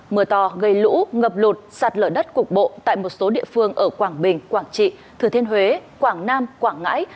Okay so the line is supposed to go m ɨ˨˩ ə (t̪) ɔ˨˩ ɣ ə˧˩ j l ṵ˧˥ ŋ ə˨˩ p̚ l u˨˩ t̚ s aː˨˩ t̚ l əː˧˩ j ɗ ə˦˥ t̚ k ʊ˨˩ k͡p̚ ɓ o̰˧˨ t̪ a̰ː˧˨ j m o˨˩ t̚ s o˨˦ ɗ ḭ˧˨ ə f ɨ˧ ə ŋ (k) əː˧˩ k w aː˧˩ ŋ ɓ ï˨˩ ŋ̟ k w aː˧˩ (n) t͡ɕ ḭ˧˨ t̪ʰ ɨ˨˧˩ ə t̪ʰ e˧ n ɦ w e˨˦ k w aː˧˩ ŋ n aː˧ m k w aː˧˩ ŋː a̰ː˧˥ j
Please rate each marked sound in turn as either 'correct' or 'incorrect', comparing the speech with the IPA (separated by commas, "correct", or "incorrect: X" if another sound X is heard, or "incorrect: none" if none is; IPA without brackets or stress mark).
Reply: correct, incorrect: ʔ, incorrect: ŋ